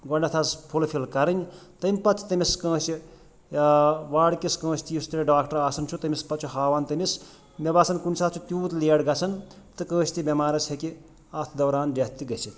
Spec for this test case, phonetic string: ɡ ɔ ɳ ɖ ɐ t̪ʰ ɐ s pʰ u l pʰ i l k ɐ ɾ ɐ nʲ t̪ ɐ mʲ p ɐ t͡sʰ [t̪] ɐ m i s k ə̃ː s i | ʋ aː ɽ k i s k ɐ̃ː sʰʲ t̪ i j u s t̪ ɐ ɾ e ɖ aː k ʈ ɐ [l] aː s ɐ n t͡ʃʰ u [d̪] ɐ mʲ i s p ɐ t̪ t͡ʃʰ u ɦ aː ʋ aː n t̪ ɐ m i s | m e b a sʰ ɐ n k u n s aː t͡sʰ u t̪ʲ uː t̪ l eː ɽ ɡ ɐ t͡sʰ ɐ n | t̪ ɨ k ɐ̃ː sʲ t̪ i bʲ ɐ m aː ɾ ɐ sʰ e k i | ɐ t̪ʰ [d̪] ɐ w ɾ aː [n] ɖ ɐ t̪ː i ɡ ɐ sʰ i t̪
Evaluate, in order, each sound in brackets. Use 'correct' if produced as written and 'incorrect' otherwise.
correct, incorrect: ɾ, incorrect: t̪, correct, correct

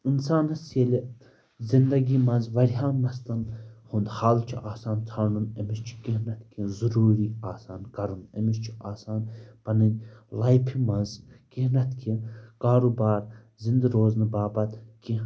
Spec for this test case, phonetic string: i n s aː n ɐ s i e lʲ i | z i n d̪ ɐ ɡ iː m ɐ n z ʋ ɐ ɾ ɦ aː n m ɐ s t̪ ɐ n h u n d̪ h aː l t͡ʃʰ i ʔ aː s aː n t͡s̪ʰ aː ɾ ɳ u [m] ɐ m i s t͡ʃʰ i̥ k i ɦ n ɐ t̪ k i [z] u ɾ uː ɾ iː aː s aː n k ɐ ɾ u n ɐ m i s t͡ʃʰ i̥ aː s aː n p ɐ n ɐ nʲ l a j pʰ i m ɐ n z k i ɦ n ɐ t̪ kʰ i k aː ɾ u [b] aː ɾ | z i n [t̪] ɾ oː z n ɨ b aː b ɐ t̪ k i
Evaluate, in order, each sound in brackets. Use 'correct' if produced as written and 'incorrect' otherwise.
incorrect: n, correct, correct, incorrect: d̪

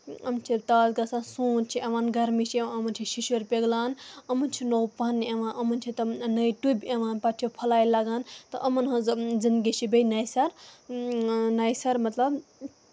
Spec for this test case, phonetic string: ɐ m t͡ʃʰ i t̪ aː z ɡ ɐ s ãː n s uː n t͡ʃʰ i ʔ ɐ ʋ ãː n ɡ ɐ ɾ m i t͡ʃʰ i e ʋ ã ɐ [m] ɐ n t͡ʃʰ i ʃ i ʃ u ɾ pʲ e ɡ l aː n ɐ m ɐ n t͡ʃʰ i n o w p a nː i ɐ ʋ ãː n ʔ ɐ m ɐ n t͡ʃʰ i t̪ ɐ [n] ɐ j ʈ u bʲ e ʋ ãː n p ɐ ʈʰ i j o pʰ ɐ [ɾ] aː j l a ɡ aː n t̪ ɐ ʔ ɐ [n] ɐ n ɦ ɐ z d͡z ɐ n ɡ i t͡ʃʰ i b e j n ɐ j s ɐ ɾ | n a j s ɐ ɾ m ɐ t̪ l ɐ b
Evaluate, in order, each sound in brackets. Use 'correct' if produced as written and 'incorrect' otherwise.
correct, correct, incorrect: l, incorrect: m

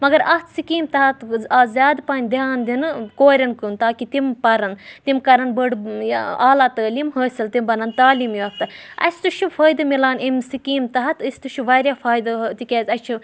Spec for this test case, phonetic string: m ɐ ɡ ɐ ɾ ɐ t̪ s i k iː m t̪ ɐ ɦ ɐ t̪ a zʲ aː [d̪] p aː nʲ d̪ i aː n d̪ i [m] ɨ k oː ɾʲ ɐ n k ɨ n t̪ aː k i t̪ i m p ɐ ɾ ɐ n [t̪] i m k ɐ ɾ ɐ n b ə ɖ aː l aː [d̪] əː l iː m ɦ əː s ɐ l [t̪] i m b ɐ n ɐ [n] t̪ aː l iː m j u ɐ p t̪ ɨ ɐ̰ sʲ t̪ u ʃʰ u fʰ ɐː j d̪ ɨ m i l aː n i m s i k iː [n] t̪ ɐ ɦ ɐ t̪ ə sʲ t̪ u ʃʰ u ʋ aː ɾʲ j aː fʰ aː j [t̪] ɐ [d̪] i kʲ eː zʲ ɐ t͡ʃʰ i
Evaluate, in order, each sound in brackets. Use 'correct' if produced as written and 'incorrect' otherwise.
correct, incorrect: n, correct, incorrect: t̪, correct, correct, incorrect: m, incorrect: d̪, incorrect: t̪

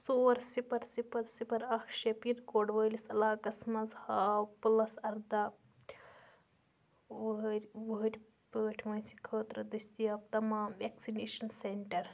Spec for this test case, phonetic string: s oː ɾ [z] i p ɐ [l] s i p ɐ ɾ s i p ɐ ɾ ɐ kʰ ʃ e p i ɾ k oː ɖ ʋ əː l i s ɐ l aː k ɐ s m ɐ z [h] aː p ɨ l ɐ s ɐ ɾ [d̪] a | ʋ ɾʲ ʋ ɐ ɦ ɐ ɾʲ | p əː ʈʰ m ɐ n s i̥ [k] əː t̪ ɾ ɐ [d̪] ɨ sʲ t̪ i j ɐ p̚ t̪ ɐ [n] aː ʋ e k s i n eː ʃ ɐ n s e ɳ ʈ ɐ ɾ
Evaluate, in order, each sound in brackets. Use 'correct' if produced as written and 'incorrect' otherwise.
incorrect: s, incorrect: ɾ, correct, correct, incorrect: kʰ, correct, incorrect: m

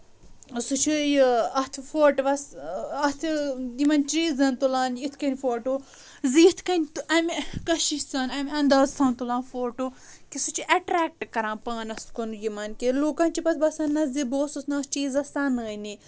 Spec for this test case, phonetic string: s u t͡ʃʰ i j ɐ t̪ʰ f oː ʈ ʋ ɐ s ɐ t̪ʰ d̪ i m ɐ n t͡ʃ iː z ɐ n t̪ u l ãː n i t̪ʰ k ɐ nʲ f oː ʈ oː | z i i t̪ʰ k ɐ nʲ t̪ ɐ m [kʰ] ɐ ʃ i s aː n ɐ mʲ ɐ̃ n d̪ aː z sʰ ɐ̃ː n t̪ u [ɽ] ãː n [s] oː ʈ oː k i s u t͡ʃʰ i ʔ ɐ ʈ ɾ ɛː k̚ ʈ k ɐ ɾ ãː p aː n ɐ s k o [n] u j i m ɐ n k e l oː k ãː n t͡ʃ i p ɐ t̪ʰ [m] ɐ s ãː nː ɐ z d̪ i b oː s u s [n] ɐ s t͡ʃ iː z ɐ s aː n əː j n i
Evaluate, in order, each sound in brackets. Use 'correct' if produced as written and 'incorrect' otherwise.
incorrect: k, incorrect: l, incorrect: f, correct, incorrect: b, correct

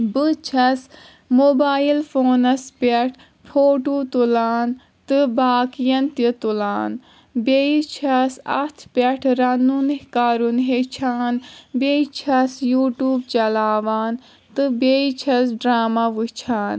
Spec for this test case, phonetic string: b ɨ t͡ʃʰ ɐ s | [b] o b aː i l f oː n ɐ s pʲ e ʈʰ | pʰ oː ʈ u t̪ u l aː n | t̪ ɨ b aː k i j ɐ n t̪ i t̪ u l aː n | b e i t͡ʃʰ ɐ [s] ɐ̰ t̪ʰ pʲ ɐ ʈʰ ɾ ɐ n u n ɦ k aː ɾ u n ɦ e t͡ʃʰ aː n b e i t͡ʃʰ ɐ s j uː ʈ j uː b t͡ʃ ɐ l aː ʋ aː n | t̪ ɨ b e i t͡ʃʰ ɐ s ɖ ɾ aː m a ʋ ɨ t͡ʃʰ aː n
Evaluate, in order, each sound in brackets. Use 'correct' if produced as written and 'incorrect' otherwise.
incorrect: m, correct

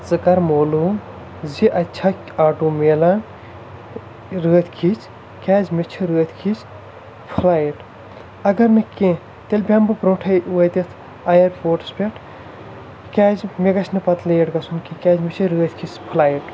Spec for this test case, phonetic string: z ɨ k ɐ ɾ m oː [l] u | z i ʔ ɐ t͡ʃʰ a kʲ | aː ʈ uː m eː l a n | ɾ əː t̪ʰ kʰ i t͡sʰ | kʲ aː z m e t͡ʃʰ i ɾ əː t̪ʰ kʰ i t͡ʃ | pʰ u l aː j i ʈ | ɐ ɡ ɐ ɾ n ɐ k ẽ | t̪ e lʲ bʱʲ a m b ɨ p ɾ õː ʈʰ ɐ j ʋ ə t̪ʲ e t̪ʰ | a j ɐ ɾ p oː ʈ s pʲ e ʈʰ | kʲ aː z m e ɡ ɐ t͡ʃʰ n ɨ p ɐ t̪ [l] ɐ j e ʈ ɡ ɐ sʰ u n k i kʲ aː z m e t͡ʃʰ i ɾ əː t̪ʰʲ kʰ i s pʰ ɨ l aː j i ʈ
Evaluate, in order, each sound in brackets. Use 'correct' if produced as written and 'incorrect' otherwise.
correct, correct

